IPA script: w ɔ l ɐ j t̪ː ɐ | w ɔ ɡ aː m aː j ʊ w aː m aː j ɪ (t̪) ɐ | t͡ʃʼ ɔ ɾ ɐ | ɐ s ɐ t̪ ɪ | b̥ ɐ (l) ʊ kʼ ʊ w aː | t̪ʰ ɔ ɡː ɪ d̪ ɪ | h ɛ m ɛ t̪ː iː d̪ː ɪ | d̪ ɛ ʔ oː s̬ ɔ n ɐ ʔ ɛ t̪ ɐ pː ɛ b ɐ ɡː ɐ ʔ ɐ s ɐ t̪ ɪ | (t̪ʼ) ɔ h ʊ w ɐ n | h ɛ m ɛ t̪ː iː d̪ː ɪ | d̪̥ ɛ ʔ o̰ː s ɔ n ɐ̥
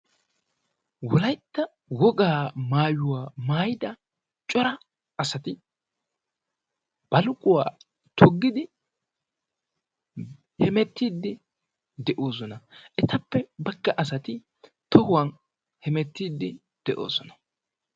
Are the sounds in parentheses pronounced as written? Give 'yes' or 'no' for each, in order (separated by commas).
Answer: no, yes, no